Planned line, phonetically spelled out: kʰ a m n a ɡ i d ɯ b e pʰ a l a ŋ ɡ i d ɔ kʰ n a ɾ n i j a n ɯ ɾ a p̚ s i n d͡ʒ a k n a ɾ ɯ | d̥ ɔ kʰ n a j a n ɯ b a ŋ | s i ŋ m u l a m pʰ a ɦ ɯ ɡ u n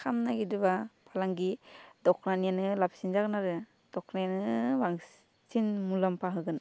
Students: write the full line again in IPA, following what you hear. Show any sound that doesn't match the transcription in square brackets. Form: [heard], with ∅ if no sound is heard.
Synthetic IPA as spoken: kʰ a m n a ɡ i d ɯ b [a] pʰ a l a ŋ ɡ i d ɔ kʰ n a [∅] n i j a n ɯ [l] a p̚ s i n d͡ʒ a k n a ɾ ɯ | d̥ ɔ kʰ n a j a n ɯ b a ŋ | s i [n] m u l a m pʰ a ɦ ɯ ɡ [ɯ] n